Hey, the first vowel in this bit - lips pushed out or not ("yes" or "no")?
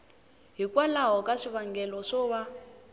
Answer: no